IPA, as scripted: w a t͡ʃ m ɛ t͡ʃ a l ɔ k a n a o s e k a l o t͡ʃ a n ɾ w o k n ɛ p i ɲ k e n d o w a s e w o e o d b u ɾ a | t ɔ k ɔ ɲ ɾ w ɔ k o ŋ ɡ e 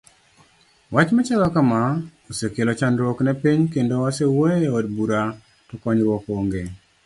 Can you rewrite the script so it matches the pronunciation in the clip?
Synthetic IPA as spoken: w a t͡ʃ m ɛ t͡ʃ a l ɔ k a m a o s e k e l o t͡ʃ a n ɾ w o k n ɛ p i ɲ k e n d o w a s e w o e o d b u ɾ a | t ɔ k ɔ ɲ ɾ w ɔ k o ŋ ɡ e

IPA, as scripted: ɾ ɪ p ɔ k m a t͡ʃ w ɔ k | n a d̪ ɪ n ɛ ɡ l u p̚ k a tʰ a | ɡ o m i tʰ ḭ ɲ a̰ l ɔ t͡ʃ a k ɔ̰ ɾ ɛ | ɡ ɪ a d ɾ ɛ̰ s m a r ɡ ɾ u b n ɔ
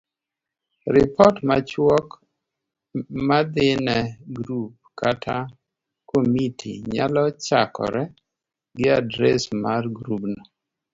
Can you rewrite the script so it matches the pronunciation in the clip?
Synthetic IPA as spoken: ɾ ɪ p ɔ t m a t͡ʃ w ɔ k | m a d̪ ɪ n ɛ ɡ ɾ u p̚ k a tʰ a | k o m i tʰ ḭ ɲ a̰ l ɔ t͡ʃ a k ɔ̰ ɾ ɛ | ɡ ɪ a d ɾ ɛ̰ s m a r ɡ ɾ u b n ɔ

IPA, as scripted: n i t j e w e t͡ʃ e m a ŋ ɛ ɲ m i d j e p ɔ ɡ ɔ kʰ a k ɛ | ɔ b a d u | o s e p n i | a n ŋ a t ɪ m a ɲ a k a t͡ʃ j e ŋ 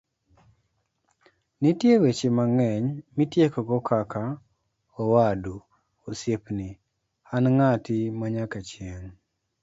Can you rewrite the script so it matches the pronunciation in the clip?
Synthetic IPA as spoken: n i t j e w e t͡ʃ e m a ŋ ɛ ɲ m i t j e k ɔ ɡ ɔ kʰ a k a | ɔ w a d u | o s e p n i | a n ŋ a t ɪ m a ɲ a k a t͡ʃ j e ŋ

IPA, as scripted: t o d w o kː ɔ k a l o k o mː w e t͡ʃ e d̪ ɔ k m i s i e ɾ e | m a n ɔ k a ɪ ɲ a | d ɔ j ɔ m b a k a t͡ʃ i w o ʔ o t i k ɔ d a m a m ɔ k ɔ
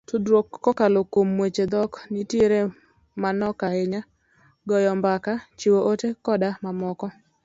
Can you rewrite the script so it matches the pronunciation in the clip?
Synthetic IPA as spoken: t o d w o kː ɔ k a l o k o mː w e t͡ʃ e d̪ ɔ k n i t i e ɾ e | m a n ɔ k a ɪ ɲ a | ɡ ɔ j ɔ m b a k a t͡ʃ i w o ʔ o t e k ɔ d a m a m ɔ k ɔ

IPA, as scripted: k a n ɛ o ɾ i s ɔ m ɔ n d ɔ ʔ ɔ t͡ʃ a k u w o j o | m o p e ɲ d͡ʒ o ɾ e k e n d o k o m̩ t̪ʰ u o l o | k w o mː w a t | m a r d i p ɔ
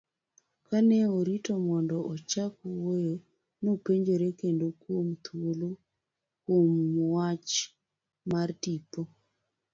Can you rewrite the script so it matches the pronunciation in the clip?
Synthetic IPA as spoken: k a n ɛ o ɾ i t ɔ m ɔ n d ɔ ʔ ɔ t͡ʃ a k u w o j o | n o p e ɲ d͡ʒ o ɾ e k e n d o k o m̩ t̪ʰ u o l o | k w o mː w a t͡ʃ | m a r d i p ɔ

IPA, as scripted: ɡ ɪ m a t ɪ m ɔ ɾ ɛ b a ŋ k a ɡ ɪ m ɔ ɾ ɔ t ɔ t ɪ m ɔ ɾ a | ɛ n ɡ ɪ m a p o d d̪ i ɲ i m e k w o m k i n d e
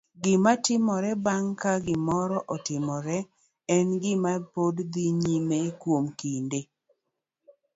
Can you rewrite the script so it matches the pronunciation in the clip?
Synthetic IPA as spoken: ɡ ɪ m a t ɪ m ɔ ɾ ɛ b a ŋ k a ɡ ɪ m ɔ ɾ ɔ ʔ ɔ t ɪ m ɔ ɾ ɛ | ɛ n ɡ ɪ m a p o d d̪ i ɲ i m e k w o m k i n d e

